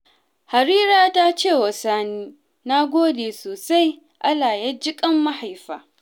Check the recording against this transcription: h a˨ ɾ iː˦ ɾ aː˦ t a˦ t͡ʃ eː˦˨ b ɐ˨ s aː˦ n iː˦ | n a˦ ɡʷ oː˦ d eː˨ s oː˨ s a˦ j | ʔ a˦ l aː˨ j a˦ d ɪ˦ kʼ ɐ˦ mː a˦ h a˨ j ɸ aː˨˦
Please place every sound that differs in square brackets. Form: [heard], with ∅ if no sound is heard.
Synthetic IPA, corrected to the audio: h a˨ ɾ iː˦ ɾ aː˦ t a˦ t͡ʃ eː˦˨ [w] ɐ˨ s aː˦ n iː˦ | n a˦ ɡʷ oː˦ d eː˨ s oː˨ s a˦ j | ʔ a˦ l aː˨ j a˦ [d͡ʒ] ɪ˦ kʼ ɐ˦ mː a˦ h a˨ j ɸ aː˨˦